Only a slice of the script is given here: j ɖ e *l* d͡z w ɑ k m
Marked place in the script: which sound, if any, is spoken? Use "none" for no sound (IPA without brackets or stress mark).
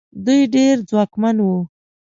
ɾ